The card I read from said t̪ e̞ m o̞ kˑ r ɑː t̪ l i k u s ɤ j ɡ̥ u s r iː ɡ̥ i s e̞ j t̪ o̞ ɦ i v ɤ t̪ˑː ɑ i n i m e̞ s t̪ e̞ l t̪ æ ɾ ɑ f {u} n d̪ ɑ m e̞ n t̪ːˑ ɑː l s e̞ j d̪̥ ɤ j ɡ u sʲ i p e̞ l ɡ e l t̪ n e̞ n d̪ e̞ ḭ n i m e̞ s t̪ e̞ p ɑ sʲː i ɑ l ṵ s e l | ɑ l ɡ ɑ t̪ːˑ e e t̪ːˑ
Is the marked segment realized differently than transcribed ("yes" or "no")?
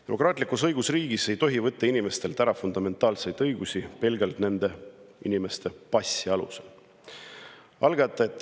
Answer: no